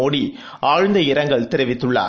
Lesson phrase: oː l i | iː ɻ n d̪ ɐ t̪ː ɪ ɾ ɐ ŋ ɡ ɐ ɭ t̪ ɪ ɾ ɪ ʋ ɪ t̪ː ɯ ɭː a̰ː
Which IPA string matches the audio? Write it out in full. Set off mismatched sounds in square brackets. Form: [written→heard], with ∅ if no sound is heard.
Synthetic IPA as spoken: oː [l→ɽ] i | [iː→aː] ɻ n d̪ ɐ [t̪ː→∅] ɪ ɾ ɐ ŋ ɡ ɐ ɭ t̪ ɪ ɾ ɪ ʋ ɪ t̪ː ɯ ɭː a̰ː